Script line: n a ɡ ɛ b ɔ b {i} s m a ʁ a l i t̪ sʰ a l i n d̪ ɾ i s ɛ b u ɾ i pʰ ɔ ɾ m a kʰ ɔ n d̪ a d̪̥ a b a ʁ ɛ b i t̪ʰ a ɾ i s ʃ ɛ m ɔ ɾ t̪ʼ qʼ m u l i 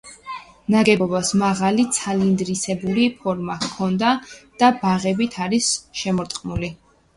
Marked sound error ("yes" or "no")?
yes